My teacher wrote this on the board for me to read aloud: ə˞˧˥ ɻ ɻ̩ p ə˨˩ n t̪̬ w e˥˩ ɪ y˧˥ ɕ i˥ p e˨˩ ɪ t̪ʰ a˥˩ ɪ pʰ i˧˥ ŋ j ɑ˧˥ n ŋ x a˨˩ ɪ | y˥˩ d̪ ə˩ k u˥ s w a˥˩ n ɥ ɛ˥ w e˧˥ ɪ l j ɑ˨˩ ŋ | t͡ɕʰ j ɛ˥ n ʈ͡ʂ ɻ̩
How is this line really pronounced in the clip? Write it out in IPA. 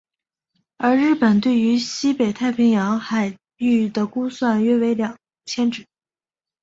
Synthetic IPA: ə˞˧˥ ɻ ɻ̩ p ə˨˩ n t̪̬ w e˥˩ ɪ y˧˥ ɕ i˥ p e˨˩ ɪ t̪ʰ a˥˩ ɪ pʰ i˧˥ ŋ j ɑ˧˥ ŋ x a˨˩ ɪ | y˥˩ d̪ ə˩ k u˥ s w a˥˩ n ɥ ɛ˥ w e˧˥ ɪ l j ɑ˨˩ ŋ | t͡ɕʰ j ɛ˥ n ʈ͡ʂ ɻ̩